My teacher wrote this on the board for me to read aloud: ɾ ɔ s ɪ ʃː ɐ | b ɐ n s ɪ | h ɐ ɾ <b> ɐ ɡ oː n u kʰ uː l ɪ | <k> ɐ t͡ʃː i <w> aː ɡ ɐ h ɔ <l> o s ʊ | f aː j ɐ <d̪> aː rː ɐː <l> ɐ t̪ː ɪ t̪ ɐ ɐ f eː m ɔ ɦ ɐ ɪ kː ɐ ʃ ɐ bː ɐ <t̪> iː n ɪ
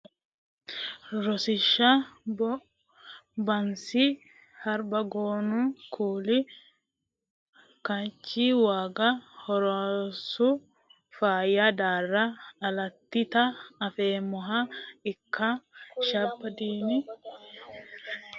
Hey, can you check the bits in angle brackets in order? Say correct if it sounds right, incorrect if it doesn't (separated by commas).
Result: correct, correct, correct, incorrect, correct, correct, incorrect